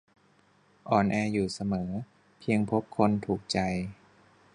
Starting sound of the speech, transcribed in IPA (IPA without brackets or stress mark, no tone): ʔ